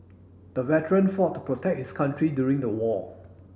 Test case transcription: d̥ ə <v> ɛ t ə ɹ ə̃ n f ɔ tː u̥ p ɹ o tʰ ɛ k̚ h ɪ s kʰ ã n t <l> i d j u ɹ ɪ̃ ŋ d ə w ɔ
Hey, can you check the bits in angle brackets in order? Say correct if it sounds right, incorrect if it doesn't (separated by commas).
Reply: correct, incorrect